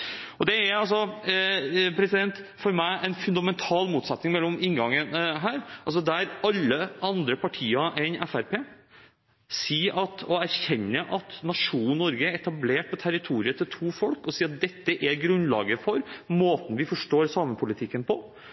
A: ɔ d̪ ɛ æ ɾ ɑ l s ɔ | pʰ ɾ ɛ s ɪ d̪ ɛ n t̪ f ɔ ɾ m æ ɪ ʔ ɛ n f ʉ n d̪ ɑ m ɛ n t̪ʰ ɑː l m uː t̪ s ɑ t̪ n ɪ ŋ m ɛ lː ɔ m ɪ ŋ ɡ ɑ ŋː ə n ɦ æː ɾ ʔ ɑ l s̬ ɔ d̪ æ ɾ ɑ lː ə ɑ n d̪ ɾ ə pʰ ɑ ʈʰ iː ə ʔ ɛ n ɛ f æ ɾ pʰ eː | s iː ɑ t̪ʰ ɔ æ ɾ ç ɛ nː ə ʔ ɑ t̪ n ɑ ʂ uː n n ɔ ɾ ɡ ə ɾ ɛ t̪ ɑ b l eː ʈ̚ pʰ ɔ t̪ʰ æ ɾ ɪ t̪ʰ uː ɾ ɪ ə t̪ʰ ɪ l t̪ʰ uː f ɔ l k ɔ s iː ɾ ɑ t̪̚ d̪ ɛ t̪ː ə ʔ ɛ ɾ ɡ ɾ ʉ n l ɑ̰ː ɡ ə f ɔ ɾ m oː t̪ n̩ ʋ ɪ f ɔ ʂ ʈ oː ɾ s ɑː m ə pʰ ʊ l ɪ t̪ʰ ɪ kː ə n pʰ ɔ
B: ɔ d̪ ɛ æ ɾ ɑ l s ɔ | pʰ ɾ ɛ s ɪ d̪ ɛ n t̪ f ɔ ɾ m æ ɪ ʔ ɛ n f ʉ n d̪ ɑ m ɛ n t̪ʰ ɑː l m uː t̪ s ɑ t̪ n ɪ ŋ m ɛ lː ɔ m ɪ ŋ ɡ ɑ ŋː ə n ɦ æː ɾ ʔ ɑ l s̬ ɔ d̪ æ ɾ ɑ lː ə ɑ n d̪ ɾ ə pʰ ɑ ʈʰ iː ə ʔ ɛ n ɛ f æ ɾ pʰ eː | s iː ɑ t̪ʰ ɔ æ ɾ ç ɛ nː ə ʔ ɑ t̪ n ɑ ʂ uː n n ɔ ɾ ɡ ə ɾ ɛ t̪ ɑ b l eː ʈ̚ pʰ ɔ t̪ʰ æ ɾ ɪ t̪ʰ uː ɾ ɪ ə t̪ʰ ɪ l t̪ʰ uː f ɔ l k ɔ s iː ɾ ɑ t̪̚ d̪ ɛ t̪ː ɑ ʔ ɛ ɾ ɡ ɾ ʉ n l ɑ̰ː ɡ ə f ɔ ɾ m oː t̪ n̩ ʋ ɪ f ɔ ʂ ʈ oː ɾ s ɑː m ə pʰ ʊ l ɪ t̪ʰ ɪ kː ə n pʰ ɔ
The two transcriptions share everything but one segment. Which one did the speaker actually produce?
A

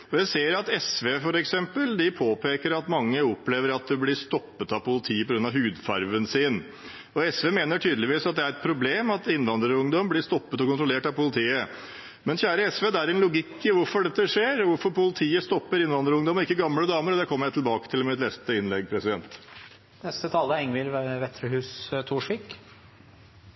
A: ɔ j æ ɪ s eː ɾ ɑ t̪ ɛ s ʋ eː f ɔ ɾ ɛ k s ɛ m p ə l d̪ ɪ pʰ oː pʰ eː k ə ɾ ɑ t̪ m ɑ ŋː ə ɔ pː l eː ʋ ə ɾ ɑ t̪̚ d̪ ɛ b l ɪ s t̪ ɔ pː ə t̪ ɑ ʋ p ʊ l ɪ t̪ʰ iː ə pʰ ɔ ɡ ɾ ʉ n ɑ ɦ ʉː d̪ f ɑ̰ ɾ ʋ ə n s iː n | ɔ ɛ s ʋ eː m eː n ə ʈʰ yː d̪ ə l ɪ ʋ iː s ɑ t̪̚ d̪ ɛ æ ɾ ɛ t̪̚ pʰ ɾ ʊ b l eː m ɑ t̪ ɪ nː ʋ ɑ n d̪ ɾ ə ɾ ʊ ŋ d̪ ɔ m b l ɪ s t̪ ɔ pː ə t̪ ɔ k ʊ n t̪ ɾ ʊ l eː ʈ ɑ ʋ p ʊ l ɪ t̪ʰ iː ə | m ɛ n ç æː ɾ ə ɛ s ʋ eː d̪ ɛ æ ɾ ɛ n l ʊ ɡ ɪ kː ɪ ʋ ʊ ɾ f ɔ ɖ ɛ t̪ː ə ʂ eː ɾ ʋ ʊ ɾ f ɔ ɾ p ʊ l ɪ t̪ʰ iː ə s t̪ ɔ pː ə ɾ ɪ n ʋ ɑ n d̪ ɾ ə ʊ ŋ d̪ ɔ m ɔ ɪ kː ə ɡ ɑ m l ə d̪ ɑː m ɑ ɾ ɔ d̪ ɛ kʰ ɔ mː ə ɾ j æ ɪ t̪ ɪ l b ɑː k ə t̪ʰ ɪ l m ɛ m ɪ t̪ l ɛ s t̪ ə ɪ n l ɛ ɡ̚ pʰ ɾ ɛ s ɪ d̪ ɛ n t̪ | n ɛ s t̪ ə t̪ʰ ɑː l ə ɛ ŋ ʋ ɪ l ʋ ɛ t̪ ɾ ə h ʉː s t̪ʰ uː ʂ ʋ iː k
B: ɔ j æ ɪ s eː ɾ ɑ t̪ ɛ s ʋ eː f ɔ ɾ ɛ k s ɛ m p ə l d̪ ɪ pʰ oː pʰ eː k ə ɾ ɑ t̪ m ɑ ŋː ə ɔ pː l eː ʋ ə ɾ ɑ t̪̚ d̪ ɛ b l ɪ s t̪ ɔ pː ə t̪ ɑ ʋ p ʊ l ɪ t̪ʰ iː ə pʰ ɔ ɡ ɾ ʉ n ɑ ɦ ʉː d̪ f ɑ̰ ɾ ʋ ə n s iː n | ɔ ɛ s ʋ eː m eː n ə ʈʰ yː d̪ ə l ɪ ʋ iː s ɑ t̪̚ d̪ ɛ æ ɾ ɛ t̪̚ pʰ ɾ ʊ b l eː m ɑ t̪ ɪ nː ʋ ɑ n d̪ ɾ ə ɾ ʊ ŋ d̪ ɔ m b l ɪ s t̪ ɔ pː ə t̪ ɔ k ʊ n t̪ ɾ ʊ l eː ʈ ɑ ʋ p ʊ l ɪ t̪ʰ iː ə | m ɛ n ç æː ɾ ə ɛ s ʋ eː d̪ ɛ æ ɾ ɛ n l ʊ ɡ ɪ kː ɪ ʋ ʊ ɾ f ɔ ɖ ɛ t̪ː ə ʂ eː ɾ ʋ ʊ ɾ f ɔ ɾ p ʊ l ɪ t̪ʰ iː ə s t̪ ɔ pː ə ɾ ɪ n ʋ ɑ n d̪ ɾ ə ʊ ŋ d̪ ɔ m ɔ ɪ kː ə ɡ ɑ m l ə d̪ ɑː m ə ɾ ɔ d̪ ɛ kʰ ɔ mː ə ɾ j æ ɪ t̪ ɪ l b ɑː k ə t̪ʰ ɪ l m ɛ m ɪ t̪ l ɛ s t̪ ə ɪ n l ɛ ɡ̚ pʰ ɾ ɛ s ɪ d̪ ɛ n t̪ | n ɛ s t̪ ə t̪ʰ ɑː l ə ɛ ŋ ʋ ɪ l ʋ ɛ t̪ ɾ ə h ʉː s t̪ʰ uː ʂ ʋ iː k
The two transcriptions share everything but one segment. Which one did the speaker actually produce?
B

